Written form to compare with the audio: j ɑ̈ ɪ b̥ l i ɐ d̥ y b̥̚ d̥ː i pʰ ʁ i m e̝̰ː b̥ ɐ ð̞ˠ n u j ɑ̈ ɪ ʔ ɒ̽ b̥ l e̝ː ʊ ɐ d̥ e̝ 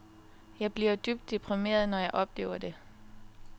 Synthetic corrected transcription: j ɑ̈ ɪ b̥ l i ɐ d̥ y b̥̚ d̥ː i pʰ ʁ i m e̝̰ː ɐ ð̞ˠ n ɒ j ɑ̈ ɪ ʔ ɒ̽ b̥ l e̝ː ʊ ɐ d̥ e̝